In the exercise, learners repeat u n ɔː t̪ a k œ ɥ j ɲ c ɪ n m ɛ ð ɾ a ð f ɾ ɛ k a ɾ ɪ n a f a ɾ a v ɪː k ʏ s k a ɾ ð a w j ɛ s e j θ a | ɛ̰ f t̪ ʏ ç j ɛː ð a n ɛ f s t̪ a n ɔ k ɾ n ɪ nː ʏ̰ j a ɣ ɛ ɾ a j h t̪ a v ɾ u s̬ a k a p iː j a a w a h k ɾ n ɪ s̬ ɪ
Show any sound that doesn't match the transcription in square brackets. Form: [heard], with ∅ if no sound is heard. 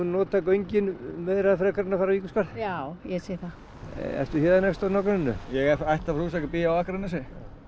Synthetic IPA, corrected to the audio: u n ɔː t̪ a k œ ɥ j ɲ c ɪ n m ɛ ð ɾ a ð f ɾ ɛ k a ɾ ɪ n a f a ɾ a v [iː] k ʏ s k a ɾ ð a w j ɛ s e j θ a | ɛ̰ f t̪ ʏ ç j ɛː ð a n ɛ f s t̪ a n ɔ k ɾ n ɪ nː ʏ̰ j [ɛ] ɣ ɛ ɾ a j h t̪ a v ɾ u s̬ a k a p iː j a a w a h k ɾ n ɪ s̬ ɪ